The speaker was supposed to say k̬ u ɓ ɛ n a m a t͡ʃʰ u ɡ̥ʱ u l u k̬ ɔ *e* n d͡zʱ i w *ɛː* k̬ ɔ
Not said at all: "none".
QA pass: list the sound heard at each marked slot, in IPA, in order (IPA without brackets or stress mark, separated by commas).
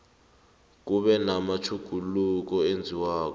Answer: e, aː